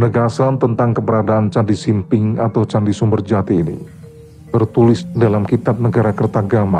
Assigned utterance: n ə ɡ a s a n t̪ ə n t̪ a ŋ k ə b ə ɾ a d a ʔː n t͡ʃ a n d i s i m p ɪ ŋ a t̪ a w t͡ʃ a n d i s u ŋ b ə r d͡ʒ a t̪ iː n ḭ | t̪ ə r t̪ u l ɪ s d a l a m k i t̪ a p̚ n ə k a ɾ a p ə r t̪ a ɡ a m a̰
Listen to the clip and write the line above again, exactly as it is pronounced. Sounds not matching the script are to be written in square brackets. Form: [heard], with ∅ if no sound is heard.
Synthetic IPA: n ə ɡ a s a n t̪ ə n t̪ a ŋ k ə b ə ɾ a d a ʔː n t͡ʃ a n d i s i m p ɪ ŋ a t̪ a w t͡ʃ a n d i s u [m] b ə r d͡ʒ a t̪ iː n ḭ | t̪ ə r t̪ u l ɪ s d a l a m k i t̪ a p̚ n ə [ɡ] a ɾ a [k] ə r t̪ a ɡ a m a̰

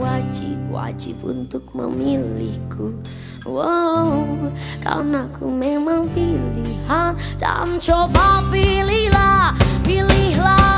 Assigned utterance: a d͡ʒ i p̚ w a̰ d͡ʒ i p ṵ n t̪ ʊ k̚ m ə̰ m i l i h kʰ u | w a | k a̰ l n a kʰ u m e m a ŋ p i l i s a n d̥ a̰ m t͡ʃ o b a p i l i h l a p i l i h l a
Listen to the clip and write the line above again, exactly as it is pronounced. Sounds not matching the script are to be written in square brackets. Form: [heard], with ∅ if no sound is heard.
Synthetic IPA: a d͡ʒ i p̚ w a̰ d͡ʒ i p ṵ n t̪ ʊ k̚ m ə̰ m i l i h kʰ u | w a | k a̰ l n a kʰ u m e m a ŋ p i l i [h] a n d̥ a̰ m t͡ʃ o b a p i l i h l a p i l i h l a

